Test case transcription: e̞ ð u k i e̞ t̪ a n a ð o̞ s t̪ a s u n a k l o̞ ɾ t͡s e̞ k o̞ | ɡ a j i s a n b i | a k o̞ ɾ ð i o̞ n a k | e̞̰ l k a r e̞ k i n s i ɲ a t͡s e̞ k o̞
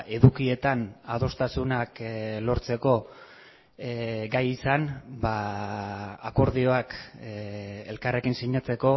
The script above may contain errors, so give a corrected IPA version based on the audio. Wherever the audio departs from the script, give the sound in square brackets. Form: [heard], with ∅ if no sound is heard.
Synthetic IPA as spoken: e̞ ð u k i e̞ t̪ a n a ð o̞ s t̪ a s u n a k l o̞ ɾ t͡s e̞ k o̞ | ɡ a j i s a n b [a] | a k o̞ ɾ ð i o̞ [∅] a k | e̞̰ l k a r e̞ k i n s i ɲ a t͡s e̞ k o̞